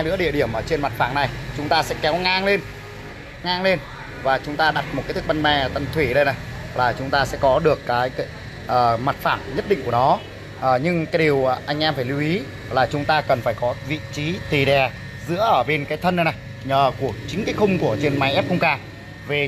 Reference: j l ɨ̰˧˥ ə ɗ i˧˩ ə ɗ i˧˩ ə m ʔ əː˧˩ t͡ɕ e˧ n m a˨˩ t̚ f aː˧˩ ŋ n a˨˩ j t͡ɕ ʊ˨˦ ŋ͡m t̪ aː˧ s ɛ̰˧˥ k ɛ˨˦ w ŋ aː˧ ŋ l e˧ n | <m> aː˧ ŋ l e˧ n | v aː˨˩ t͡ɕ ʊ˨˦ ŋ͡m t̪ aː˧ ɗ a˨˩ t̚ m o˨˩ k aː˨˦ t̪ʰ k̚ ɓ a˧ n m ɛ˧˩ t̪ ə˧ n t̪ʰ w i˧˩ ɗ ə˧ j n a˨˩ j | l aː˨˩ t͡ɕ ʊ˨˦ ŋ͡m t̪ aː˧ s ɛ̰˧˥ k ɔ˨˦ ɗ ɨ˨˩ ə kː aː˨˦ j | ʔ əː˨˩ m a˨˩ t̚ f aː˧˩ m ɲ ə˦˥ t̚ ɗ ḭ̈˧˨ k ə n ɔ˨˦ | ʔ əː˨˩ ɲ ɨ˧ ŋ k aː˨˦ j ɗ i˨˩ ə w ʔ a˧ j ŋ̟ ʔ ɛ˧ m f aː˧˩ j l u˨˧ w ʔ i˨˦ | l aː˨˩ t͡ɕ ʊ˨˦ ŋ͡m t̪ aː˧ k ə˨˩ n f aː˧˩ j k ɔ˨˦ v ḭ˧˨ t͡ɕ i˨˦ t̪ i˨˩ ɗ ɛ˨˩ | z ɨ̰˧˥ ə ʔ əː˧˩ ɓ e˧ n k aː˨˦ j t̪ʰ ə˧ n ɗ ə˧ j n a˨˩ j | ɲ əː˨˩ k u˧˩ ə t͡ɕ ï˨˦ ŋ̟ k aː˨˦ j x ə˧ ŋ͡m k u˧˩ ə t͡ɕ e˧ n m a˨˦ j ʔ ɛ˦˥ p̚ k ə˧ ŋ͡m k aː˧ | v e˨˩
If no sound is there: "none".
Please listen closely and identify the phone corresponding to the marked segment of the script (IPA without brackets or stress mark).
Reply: ŋ